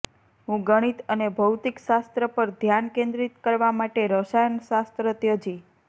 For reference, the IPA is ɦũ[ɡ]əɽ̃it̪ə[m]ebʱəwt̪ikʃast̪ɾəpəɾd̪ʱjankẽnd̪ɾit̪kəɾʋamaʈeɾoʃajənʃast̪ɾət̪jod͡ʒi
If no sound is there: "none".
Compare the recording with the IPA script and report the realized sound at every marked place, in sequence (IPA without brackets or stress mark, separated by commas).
ɡ, n